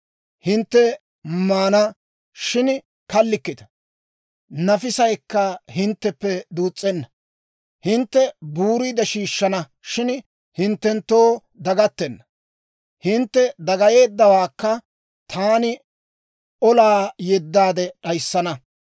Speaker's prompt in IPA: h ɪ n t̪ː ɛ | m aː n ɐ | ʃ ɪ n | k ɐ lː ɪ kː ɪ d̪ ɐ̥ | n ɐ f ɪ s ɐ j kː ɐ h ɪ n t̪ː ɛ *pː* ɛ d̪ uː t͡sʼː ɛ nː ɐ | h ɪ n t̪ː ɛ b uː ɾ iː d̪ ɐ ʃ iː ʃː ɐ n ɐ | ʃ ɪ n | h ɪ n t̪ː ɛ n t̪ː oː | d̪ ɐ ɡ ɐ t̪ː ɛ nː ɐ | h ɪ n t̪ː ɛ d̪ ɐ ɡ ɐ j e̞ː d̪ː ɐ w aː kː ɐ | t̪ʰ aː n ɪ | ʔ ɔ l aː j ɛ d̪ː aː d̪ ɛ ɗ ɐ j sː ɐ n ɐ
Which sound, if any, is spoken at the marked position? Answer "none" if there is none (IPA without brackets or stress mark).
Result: pː